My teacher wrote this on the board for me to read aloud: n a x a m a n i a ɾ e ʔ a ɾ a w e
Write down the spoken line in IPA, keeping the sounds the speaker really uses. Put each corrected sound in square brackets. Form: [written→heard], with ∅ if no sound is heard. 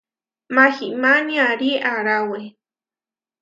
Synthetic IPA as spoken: [n→m] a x [a→i] m a n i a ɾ [e→i] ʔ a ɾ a w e